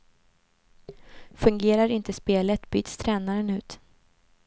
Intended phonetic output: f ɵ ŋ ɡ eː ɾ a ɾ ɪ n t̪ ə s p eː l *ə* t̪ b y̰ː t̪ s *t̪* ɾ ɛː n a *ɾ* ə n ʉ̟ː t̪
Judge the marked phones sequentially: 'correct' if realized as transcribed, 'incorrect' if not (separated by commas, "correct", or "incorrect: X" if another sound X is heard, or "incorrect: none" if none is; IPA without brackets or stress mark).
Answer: correct, incorrect: t̪ʰ, correct